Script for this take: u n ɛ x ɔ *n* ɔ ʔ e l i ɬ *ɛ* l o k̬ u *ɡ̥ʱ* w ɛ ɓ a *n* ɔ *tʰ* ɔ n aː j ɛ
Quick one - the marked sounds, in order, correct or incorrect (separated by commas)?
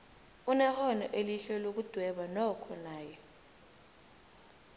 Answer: correct, correct, incorrect, correct, incorrect